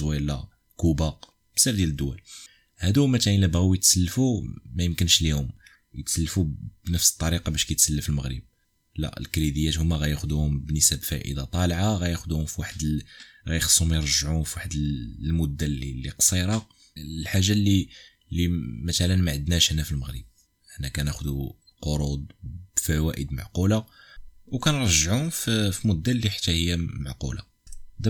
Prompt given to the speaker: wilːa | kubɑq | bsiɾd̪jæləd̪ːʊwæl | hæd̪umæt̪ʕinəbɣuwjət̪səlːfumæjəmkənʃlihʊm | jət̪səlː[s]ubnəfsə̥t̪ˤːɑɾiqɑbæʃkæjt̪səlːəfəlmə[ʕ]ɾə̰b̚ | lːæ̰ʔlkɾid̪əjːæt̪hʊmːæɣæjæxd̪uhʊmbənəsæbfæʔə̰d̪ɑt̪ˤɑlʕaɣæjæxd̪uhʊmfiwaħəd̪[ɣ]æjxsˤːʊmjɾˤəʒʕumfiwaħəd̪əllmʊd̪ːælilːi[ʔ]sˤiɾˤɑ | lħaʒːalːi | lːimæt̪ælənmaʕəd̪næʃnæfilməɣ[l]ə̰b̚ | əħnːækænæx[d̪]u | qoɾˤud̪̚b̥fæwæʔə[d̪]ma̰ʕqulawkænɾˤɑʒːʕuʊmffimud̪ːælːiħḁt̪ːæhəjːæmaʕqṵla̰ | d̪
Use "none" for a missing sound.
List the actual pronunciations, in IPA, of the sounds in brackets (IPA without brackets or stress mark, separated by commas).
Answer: f, ɣ, ɣ, q, ɾ, d̪, d̪